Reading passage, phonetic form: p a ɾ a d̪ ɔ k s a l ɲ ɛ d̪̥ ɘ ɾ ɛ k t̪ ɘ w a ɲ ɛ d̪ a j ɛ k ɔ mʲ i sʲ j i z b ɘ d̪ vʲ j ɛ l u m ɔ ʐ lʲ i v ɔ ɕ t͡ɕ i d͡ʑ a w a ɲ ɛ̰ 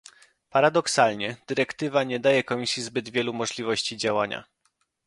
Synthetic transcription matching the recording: p a ɾ a d̪ ɔ k s a l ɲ ɛ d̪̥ ɘ ɾ ɛ k t̪ ɘ v a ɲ ɛ d̪ a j ɛ k ɔ mʲ i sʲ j i z b ɘ d̪ vʲ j ɛ l u m ɔ ʐ lʲ i v ɔ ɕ t͡ɕ i d͡ʑ a w a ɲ a̰